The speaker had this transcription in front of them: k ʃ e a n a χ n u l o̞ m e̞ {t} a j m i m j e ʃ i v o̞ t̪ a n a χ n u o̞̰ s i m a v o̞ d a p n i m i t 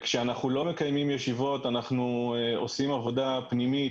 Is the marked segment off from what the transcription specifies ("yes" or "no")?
yes